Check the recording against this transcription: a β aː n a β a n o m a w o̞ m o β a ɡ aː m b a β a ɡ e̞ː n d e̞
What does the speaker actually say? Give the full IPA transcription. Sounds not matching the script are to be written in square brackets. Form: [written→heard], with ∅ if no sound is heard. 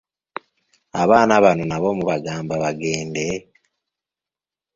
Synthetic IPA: a β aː n a β a n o [m→n] a [w→β] o̞ m [o→u] β a ɡ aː m b a β a ɡ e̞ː n d e̞